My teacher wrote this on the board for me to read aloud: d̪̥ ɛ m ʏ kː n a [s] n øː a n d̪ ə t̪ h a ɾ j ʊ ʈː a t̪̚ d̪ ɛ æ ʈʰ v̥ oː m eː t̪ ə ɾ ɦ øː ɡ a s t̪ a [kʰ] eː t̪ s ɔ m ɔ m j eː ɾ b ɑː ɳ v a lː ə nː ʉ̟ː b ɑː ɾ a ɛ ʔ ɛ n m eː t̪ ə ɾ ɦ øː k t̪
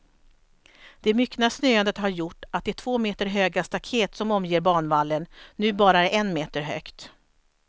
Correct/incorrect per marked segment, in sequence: correct, correct

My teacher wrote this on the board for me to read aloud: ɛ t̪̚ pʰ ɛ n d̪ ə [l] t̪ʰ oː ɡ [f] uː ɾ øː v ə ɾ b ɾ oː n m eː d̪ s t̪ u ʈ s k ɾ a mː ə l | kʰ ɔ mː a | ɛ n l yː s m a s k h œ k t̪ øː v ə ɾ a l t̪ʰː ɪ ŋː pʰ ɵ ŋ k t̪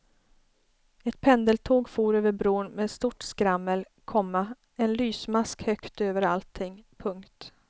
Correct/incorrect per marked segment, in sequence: correct, correct

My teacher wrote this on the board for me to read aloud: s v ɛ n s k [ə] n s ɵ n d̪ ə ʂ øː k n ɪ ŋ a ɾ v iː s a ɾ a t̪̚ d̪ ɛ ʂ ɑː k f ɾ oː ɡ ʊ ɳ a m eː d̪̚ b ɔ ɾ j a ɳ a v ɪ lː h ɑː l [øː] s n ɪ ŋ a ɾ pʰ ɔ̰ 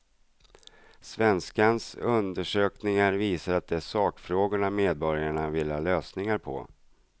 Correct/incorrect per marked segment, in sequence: incorrect: a, correct

